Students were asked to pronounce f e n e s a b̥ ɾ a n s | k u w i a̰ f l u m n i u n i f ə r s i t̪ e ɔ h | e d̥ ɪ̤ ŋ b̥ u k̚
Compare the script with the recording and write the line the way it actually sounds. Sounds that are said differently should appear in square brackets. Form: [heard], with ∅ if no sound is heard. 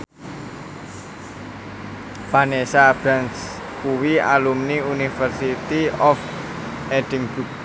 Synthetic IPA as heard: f [a] n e s a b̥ ɾ a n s | k u w i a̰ [∅] l u m n i u n i f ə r s i t̪ [i] ɔ [f] | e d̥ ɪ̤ ŋ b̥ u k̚